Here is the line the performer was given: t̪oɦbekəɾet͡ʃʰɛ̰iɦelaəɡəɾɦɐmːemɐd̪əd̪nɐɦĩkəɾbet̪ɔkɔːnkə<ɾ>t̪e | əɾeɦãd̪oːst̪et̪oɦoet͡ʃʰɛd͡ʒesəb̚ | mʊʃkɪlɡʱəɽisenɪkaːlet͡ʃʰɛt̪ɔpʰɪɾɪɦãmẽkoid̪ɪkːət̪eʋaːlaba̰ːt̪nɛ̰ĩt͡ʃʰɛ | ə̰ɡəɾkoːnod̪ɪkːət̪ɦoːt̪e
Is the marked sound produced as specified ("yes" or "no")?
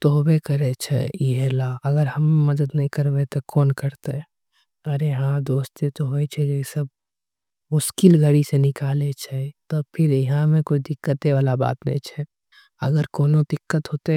yes